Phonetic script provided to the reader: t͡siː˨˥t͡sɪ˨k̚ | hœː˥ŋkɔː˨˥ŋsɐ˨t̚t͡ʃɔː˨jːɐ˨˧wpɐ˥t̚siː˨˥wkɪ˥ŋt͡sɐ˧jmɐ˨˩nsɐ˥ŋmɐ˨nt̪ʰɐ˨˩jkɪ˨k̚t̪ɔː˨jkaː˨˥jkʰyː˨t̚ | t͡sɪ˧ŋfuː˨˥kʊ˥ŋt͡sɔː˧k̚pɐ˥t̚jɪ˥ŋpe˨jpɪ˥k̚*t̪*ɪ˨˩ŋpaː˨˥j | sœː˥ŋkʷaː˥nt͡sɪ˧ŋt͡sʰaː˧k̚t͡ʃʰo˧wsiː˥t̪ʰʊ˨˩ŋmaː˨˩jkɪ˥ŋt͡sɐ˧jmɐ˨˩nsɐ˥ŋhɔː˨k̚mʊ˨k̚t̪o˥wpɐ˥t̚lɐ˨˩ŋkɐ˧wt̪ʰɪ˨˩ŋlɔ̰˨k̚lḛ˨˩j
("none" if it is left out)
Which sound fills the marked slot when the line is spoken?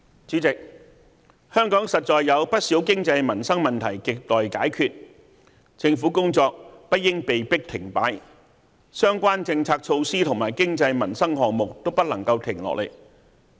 t̪ʰ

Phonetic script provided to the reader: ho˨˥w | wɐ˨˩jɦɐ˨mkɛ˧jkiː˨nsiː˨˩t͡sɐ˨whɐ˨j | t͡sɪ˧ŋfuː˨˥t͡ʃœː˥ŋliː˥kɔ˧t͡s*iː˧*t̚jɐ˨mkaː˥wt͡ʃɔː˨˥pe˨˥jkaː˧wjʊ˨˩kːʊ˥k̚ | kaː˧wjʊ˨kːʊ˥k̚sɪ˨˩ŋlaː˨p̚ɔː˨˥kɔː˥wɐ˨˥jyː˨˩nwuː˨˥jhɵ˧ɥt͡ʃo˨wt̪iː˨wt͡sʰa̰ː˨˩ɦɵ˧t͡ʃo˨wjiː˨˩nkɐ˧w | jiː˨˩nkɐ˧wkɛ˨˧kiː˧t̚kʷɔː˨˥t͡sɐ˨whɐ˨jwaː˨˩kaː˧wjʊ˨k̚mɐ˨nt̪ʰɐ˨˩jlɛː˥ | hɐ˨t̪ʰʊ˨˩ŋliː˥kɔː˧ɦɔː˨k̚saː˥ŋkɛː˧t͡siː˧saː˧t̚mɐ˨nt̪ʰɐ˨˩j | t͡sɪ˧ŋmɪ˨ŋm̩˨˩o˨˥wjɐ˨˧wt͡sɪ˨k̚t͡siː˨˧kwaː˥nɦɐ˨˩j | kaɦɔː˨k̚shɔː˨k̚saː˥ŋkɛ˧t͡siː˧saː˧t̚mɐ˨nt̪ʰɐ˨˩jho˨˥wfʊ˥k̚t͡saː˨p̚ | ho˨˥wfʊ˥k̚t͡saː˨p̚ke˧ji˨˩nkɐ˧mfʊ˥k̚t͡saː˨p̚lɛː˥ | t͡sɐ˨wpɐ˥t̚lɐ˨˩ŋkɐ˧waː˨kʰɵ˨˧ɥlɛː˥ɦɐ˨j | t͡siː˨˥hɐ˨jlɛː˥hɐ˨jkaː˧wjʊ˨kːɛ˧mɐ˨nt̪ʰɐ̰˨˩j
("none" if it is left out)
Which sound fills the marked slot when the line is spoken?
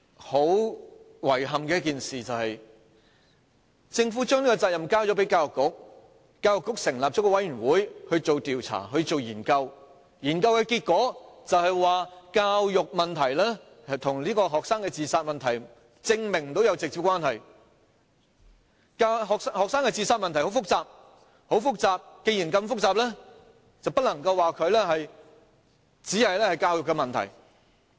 aː˧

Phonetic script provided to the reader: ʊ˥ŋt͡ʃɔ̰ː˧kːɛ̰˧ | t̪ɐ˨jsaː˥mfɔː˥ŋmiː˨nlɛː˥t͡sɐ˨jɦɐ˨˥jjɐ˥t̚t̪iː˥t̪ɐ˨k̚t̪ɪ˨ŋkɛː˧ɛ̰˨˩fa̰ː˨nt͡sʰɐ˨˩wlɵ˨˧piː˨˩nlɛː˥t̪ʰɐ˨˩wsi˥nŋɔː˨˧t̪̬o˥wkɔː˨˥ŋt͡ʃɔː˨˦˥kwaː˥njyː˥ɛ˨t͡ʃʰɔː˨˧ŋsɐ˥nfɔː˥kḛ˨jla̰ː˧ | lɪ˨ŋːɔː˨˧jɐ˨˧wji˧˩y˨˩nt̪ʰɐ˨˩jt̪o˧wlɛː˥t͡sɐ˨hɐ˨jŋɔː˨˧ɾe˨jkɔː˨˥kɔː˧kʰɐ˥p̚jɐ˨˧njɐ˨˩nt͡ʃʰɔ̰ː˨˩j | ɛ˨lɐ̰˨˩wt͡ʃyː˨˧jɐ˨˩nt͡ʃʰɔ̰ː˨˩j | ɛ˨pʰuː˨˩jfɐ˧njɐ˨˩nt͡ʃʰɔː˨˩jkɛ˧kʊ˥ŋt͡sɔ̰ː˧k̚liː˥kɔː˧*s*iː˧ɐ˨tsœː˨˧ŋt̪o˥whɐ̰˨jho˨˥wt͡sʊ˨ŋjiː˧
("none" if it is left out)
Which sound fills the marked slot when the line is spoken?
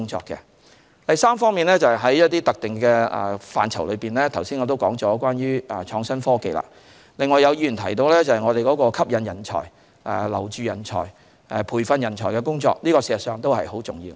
s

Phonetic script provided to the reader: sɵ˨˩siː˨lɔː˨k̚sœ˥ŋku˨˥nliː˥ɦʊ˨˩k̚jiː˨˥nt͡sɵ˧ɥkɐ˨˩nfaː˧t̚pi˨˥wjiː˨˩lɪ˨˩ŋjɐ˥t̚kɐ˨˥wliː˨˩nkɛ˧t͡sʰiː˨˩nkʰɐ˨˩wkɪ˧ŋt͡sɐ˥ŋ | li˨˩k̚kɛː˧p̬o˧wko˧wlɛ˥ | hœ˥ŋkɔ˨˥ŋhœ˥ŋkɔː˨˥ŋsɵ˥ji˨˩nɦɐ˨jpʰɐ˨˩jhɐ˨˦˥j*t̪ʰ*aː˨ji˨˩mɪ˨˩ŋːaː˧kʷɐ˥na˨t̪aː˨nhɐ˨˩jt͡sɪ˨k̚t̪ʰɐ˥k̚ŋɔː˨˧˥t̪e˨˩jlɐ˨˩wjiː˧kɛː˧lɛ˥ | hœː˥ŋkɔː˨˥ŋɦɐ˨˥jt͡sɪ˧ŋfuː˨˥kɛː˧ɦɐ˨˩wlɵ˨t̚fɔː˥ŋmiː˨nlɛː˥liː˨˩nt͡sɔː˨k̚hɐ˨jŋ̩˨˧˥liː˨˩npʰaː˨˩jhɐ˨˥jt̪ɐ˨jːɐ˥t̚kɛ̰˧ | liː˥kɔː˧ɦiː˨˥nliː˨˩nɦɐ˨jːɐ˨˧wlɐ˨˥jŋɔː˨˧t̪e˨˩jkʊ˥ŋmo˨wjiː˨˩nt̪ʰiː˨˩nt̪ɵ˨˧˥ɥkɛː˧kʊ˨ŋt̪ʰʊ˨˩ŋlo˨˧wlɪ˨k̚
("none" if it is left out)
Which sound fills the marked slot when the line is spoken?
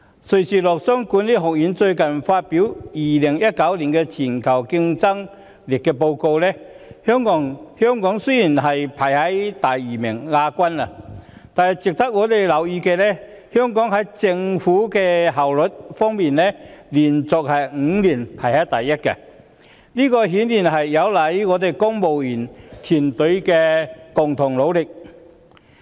t̪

